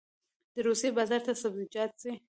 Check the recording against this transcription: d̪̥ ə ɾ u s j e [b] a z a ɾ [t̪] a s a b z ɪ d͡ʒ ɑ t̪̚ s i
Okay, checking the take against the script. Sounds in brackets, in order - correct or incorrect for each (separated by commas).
correct, correct